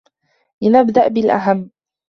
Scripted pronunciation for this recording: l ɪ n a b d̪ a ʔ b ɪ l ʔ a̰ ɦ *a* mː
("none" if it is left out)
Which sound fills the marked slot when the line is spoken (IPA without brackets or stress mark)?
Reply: a